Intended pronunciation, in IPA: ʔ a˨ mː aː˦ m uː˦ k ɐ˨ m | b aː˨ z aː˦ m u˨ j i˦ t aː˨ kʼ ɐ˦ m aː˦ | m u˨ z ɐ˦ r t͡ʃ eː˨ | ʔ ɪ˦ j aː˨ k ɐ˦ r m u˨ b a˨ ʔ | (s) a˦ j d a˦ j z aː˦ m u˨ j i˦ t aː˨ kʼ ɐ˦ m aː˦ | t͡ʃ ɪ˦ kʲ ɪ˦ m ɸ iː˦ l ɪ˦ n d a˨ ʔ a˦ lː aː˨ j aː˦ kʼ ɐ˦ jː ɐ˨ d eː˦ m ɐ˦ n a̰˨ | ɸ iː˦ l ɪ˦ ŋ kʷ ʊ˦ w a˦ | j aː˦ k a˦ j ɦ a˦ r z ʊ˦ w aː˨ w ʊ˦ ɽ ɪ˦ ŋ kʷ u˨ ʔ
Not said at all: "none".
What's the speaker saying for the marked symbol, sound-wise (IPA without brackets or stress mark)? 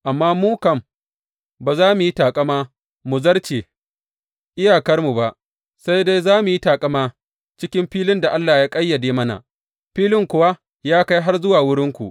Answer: s